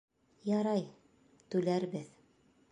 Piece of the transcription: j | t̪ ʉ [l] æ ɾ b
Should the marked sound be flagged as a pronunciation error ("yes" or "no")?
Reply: no